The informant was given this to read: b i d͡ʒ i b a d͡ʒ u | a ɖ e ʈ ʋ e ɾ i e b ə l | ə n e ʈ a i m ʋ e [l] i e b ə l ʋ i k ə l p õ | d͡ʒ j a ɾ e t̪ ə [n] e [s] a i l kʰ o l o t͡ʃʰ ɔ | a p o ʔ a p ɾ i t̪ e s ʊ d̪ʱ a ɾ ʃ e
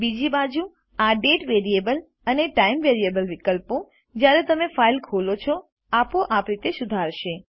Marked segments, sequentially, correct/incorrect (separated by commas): incorrect, incorrect, incorrect